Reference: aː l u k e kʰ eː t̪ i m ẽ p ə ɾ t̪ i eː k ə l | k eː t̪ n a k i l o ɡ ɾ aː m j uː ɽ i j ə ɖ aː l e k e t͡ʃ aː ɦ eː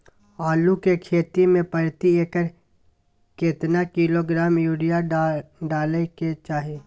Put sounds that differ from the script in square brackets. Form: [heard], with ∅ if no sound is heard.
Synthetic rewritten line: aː l u k e kʰ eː t̪ i m ẽ p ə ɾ t̪ i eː k ə [ɾ] | k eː t̪ n a k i l o ɡ ɾ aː m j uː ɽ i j [a] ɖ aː l e k e t͡ʃ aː ɦ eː